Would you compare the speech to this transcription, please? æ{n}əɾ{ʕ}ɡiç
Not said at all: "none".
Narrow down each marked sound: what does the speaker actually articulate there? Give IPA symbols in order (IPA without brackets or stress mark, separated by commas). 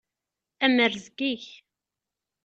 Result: m, z